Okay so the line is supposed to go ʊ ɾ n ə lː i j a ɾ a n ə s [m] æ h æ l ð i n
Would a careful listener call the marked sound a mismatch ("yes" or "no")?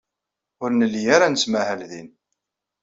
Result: no